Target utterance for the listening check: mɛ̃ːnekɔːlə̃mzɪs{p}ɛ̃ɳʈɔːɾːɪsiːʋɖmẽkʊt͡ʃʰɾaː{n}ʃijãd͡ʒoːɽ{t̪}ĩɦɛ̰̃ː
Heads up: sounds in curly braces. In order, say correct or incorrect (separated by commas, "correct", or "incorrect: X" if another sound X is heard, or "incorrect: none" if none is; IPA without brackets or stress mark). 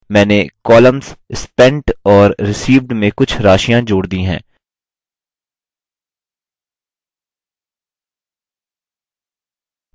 correct, incorrect: none, incorrect: d̪